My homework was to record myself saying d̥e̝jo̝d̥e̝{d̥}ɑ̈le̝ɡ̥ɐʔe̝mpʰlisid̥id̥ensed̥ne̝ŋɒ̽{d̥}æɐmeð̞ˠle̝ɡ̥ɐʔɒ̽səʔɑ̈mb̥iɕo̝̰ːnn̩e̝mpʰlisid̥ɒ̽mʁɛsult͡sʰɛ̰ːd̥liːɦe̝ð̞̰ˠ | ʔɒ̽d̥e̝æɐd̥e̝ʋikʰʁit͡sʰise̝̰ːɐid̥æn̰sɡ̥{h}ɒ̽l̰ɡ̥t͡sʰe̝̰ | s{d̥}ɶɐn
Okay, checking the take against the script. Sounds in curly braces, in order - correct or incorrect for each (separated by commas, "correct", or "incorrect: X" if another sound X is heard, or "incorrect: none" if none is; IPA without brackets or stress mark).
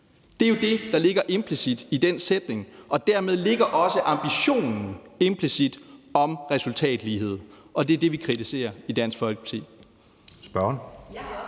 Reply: correct, correct, incorrect: f, incorrect: b̥